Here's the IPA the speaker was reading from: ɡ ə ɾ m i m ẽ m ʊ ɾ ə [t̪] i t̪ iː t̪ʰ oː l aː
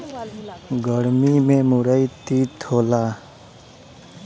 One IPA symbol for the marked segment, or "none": none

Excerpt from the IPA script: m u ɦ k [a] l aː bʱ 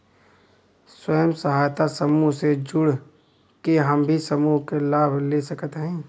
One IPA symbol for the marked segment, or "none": e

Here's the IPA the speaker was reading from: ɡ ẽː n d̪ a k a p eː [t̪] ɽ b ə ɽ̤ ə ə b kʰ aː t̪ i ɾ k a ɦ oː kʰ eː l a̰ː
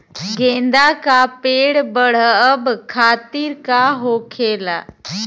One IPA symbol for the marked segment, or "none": none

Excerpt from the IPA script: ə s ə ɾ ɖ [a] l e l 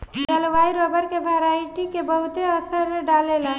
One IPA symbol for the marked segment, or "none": a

